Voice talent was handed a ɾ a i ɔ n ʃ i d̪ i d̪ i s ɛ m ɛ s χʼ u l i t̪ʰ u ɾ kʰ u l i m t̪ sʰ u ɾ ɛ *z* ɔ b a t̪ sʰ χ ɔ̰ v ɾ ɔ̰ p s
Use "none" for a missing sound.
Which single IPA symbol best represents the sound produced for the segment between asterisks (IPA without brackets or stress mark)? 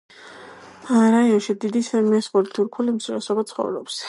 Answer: s